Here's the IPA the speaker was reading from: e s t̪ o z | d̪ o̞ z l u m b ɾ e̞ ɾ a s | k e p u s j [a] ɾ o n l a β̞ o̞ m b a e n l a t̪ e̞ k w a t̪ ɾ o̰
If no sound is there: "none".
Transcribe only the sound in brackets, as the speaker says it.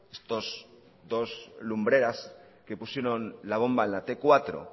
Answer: e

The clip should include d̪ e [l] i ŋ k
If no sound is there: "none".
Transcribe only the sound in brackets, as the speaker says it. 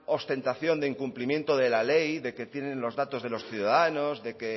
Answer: none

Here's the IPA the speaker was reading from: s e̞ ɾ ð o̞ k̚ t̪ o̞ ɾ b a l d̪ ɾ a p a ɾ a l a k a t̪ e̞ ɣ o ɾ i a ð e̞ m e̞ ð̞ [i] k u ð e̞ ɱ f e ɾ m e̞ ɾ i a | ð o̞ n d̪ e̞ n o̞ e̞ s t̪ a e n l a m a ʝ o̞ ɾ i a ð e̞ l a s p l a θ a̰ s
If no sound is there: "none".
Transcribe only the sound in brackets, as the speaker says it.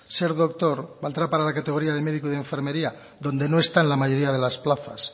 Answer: i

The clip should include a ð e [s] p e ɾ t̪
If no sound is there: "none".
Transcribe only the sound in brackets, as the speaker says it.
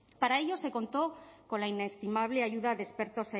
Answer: s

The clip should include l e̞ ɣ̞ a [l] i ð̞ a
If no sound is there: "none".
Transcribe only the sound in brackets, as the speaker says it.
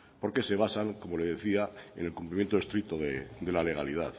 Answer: l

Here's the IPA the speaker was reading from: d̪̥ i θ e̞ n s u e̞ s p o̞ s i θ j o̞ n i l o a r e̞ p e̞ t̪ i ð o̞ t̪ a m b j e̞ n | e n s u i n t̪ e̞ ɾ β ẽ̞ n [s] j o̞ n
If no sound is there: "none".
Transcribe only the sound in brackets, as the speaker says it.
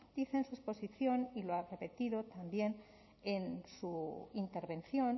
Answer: θ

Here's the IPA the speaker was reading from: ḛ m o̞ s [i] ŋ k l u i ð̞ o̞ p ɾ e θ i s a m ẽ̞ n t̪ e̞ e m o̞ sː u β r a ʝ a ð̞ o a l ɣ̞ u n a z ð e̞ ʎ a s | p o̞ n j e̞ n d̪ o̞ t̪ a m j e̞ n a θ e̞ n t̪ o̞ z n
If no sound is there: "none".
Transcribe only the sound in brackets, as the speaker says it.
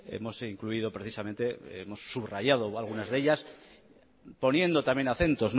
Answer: i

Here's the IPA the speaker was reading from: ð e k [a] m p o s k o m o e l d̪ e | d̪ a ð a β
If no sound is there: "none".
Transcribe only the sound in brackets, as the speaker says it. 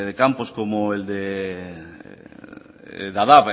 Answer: a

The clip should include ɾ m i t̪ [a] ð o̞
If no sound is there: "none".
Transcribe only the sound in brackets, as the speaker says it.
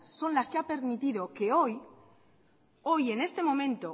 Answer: i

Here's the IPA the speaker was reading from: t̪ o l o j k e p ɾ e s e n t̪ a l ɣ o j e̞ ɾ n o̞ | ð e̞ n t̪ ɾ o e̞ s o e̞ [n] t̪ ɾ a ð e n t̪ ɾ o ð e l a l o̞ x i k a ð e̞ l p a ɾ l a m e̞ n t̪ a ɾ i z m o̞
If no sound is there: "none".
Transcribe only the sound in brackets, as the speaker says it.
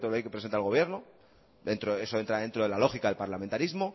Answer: n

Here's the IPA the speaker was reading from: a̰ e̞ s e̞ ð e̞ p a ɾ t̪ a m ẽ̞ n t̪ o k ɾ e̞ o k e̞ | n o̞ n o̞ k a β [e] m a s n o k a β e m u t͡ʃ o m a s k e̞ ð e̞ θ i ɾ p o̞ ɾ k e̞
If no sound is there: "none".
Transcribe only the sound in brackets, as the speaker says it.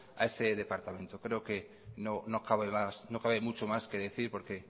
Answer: e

